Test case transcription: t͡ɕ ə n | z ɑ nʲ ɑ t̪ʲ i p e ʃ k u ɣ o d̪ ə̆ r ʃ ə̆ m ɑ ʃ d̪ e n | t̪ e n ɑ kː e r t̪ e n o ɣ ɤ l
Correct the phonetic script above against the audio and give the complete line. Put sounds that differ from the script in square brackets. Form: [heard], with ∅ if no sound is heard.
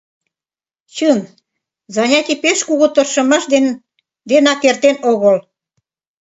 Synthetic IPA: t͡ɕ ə n | z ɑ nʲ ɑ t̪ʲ i p e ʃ k u ɣ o [t̪] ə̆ r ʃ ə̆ m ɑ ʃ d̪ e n | [d̪] e n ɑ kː e r t̪ e n o ɣ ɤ l